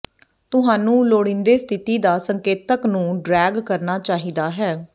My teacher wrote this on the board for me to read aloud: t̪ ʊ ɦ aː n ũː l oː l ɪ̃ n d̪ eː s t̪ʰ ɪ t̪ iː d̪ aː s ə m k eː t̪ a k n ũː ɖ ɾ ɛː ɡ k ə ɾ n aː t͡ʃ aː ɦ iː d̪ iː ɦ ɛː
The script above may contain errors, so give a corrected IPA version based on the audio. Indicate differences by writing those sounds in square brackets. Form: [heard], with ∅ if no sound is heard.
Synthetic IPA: t̪ ʊ ɦ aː n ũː l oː [ɽ] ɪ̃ n d̪ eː s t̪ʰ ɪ t̪ iː d̪ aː s ə [ŋ] k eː t̪ [ə] k n ũː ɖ ɾ ɛː ɡ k ə ɾ n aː t͡ʃ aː ɦ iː d̪ [aː] ɦ ɛː